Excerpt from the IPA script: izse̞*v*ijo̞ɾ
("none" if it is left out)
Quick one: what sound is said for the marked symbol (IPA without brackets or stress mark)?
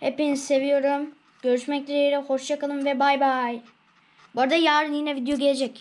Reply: v